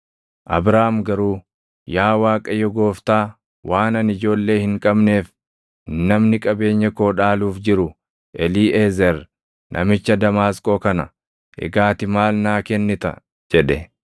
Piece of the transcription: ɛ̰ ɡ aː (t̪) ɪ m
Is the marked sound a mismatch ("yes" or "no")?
no